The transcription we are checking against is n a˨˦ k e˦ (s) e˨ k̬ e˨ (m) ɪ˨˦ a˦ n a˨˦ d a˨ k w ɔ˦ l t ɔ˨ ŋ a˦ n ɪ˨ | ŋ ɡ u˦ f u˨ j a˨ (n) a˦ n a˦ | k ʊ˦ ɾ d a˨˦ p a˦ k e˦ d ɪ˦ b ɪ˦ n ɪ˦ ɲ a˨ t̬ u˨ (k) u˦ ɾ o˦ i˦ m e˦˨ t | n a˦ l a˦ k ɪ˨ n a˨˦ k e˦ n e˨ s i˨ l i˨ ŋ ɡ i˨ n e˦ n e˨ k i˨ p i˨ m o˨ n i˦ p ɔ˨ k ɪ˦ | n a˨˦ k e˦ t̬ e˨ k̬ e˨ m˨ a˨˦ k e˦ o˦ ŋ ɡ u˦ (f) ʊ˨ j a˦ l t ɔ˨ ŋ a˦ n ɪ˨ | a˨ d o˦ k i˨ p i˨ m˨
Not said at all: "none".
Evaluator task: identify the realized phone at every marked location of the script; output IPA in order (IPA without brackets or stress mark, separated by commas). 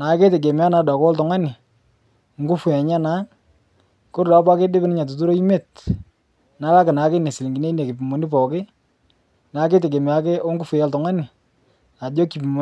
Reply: t, m, ɲ, t, f